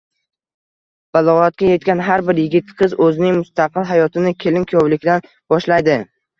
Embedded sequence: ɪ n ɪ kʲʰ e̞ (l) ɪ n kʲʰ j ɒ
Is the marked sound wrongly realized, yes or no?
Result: no